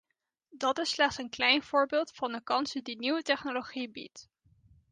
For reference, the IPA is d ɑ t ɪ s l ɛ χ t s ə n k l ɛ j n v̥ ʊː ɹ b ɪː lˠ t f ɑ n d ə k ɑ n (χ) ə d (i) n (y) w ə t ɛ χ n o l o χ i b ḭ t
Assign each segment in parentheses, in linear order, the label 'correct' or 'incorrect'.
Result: incorrect, correct, incorrect

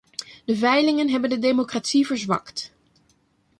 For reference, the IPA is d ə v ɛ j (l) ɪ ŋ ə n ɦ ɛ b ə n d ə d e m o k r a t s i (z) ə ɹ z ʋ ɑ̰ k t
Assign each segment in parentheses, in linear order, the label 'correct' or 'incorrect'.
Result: correct, incorrect

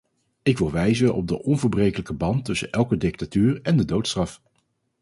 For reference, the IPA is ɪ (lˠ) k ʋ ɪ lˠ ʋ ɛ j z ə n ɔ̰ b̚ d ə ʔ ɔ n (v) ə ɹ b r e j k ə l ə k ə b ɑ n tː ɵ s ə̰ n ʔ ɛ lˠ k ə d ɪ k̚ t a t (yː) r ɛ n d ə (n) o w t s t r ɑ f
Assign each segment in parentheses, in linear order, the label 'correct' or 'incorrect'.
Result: incorrect, correct, correct, incorrect

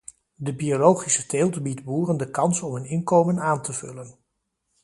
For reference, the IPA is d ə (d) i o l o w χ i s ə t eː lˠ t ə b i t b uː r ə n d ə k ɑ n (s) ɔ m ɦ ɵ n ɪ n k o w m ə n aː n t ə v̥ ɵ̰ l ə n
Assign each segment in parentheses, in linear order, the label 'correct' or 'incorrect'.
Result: incorrect, correct

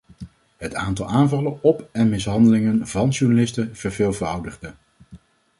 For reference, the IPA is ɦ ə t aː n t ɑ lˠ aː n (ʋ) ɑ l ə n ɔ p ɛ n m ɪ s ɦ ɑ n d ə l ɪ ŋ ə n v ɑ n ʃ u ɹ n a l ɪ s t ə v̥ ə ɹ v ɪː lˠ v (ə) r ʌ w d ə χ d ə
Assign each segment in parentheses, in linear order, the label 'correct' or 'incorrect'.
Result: incorrect, correct

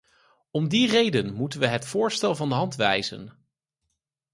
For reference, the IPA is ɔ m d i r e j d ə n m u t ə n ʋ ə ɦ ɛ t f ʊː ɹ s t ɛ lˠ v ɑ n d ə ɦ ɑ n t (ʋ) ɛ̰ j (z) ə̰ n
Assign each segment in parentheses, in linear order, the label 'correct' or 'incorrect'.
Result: correct, correct

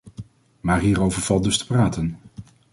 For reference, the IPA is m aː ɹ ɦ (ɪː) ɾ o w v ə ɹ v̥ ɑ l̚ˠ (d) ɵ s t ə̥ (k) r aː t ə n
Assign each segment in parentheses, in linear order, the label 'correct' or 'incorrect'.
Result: incorrect, correct, incorrect

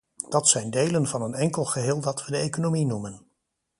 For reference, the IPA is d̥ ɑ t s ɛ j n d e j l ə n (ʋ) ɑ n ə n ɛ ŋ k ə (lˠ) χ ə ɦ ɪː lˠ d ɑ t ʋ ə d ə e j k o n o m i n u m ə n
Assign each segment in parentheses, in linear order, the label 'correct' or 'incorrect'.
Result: incorrect, correct

